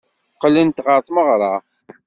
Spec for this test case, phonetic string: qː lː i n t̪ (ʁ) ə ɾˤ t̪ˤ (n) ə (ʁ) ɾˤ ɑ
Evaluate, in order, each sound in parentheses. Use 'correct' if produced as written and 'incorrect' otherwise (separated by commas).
correct, incorrect, correct